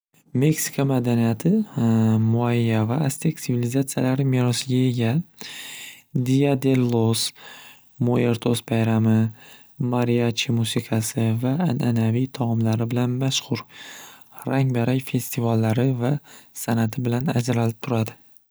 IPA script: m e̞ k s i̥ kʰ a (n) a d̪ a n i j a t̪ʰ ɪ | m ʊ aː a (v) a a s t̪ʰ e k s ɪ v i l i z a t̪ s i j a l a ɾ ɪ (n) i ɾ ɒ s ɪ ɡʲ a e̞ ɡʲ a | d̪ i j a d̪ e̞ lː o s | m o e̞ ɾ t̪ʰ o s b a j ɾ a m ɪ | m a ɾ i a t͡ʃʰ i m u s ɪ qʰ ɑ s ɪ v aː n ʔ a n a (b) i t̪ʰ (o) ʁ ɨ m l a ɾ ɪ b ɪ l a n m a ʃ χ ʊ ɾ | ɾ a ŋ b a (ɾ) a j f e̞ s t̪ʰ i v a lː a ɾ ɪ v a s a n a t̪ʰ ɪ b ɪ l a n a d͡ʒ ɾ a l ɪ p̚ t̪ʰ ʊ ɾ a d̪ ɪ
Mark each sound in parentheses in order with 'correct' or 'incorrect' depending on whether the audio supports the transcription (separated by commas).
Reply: incorrect, correct, incorrect, incorrect, incorrect, correct